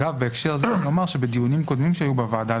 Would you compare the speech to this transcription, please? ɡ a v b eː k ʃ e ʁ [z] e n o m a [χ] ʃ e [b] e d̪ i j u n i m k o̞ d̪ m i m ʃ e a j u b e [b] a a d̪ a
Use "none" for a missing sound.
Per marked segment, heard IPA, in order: z, ʁ, b, v

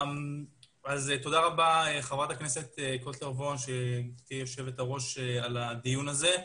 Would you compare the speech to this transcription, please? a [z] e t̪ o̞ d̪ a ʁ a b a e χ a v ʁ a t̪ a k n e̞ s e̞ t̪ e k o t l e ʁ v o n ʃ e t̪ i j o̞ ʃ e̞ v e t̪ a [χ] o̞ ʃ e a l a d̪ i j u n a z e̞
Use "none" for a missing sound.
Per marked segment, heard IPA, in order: z, ʁ

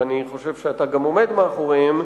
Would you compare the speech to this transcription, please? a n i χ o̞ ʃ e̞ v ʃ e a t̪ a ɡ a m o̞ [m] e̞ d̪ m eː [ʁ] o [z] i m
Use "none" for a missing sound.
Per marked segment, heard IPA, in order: m, χ, ʁ

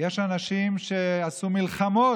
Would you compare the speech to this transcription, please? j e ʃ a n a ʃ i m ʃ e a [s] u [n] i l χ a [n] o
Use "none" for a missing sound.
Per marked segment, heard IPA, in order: s, m, m

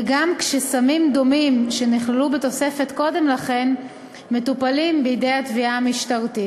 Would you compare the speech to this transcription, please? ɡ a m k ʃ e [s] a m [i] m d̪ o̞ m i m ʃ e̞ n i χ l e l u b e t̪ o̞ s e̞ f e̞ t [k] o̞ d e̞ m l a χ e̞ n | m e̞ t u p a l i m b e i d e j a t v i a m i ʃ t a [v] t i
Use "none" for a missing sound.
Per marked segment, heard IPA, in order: s, i, k, ʁ

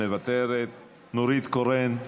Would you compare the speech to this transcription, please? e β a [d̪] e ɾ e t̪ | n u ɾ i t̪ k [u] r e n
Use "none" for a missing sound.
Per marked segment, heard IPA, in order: t̪, o

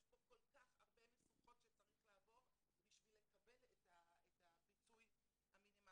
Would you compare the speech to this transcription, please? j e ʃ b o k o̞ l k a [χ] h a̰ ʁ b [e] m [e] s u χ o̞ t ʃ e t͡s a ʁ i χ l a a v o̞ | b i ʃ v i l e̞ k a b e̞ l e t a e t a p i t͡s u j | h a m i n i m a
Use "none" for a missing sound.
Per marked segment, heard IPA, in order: χ, e, e

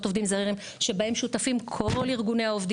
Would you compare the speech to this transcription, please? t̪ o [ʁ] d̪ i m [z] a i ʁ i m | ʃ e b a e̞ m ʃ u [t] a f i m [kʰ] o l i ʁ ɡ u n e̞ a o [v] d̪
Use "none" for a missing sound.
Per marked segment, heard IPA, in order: v, z, t, kʰ, v

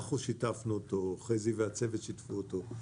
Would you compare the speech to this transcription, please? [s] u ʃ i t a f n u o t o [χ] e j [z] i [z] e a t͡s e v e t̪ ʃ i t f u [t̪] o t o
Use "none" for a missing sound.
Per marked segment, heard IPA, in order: χ, χ, z, v, none

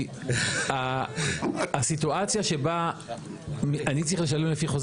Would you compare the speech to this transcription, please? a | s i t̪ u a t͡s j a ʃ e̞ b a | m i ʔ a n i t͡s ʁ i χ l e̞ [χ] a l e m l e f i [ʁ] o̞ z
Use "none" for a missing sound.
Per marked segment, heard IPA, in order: ʃ, χ

